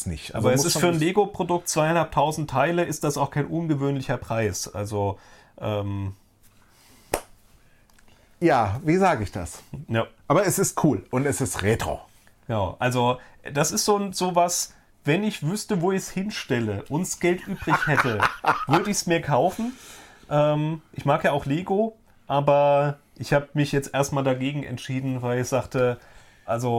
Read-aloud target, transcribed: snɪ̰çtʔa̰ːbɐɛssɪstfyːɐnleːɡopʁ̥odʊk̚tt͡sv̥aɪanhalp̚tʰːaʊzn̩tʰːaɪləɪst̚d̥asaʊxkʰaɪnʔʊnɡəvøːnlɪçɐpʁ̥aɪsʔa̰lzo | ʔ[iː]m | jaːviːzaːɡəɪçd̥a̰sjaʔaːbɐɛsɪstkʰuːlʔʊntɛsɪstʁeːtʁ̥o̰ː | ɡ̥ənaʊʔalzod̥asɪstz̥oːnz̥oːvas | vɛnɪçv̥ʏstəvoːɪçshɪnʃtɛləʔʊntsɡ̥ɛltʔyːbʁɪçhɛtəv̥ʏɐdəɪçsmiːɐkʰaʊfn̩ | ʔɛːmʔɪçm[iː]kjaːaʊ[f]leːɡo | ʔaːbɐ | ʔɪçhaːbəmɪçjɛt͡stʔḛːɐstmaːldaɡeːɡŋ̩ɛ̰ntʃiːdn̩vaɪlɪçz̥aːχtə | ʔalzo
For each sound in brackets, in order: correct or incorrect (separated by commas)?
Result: incorrect, incorrect, incorrect